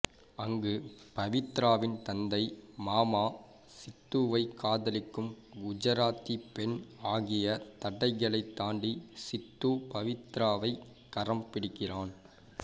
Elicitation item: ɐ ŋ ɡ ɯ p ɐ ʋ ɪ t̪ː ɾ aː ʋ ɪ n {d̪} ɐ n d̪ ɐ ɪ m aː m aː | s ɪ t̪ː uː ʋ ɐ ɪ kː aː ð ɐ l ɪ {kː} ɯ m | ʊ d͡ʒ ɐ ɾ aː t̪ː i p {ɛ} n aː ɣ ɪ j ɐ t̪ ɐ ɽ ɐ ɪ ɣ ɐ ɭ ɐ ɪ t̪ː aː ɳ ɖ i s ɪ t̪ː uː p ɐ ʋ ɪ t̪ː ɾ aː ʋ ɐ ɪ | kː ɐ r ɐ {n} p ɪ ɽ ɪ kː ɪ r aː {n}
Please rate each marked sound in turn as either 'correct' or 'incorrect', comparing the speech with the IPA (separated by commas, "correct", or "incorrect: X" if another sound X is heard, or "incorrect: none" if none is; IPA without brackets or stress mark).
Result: incorrect: t̪, correct, correct, incorrect: m, correct